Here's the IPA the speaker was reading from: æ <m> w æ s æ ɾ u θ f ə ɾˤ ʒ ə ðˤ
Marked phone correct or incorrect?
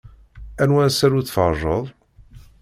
incorrect: n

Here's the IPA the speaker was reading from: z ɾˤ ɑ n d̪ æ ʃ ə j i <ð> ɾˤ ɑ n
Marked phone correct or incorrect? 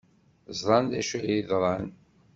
correct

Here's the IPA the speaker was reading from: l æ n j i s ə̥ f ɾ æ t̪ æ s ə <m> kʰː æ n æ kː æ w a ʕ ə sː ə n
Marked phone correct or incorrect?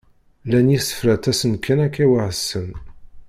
incorrect: n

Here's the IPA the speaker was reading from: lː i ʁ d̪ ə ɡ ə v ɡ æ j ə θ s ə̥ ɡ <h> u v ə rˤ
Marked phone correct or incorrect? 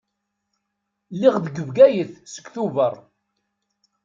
incorrect: θ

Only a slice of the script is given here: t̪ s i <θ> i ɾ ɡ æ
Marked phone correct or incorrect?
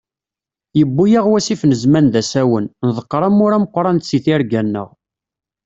correct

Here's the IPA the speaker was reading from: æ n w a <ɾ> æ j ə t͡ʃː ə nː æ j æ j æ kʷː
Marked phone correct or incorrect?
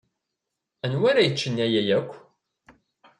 correct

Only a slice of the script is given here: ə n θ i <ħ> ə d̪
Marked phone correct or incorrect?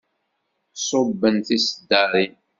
incorrect: s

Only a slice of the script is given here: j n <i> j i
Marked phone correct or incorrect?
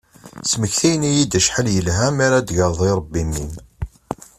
correct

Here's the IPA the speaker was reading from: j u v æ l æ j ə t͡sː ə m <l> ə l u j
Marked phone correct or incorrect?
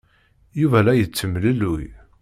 correct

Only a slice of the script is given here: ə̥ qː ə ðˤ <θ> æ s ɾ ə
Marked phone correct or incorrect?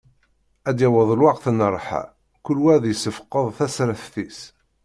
correct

